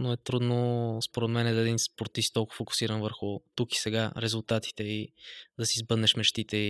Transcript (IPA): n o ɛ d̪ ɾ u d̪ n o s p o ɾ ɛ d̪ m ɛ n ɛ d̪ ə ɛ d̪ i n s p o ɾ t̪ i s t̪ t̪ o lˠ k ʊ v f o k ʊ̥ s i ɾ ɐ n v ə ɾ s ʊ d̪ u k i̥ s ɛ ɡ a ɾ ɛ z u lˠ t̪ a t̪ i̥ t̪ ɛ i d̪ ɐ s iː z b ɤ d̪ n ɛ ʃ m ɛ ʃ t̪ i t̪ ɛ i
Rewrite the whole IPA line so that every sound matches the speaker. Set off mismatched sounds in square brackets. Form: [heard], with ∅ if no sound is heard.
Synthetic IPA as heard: n o ɛ [t̪] ɾ u d̪ n o s p o ɾ ɛ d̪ m ɛ n ɛ d̪ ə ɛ d̪ i n s p o ɾ t̪ i s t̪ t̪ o lˠ k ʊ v f o k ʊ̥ s i ɾ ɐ n v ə ɾ [x] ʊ [t̪] u k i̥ s ɛ ɡ a ɾ ɛ z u lˠ t̪ a t̪ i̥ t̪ ɛ i d̪ ɐ s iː z b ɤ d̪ n ɛ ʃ m ɛ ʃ t̪ i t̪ ɛ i